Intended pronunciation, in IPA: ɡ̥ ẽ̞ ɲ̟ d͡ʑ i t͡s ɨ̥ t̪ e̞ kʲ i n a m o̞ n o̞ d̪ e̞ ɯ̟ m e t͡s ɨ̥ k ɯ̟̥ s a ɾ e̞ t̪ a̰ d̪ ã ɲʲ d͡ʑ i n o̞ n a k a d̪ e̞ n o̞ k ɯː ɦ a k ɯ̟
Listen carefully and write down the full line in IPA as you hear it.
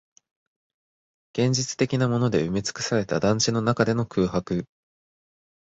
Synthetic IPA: ɡ̥ ẽ̞ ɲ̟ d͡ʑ i t͡s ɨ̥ t̪ e̞ kʲ i n a m o̞ n o̞ d̪ e̞ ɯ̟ m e t͡s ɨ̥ k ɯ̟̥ s a ɾ e̞ t̪ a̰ d̪ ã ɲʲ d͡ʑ i n o̞ n a k a d̪ e̞ n o̞ k ɯː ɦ a k ɯ̟